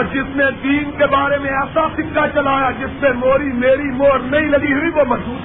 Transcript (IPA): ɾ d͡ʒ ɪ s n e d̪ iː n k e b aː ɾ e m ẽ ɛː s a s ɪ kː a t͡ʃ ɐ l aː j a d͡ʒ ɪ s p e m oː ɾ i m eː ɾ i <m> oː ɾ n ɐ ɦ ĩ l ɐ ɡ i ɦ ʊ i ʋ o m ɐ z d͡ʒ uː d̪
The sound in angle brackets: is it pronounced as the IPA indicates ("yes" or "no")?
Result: yes